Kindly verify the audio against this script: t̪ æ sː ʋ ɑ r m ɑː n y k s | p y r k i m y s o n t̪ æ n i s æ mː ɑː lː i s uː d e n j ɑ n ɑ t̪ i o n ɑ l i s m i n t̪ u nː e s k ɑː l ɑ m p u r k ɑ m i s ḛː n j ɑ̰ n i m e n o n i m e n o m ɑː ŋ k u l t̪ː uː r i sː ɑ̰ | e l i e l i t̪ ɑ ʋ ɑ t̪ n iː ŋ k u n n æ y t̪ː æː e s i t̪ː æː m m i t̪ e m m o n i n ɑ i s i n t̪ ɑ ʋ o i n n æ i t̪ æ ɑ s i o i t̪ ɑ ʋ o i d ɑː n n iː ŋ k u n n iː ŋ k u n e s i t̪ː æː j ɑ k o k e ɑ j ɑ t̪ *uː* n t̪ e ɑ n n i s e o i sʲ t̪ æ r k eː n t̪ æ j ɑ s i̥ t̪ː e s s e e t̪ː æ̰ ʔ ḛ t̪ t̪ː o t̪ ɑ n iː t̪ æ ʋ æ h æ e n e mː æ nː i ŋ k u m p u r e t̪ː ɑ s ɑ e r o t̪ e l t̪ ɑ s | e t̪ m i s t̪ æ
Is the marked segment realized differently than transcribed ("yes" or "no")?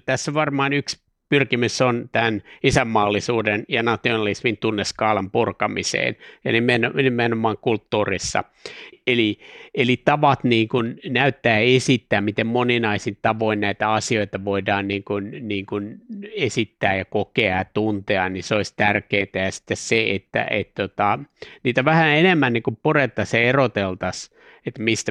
yes